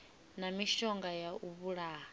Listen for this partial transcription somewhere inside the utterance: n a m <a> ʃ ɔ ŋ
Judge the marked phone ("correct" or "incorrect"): incorrect